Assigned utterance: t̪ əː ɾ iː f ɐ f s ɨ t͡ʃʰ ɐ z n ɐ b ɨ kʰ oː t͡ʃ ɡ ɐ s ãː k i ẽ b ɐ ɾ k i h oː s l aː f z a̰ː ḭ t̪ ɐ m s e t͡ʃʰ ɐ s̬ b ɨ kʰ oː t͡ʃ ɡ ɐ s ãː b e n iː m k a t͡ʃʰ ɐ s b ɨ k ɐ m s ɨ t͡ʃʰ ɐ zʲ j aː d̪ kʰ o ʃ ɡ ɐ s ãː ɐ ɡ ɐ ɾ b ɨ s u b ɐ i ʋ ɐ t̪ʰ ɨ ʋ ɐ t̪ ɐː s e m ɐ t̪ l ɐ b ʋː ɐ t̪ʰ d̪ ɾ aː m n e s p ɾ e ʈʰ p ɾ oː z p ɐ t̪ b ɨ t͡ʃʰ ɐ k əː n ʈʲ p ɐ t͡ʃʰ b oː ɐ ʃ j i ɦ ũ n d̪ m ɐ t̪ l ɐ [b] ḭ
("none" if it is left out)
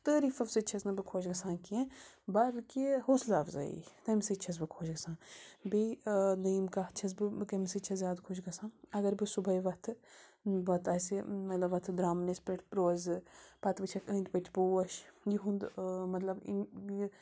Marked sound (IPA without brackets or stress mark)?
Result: b